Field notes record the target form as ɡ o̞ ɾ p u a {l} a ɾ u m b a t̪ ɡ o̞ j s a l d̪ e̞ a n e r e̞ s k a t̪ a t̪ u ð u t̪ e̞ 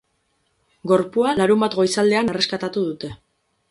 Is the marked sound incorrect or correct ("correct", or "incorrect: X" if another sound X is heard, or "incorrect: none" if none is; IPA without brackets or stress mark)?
correct